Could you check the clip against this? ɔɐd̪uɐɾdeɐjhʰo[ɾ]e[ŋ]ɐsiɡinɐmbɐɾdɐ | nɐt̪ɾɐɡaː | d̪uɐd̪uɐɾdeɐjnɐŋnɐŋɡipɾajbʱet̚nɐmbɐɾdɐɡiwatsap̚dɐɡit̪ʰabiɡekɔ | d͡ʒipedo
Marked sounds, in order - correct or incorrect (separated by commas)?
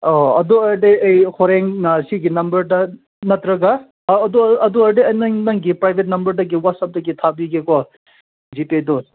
correct, correct